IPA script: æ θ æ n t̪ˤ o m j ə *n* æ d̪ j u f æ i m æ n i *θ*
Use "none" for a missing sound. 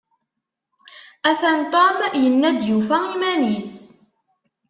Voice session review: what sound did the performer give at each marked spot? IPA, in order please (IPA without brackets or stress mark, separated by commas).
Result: nː, s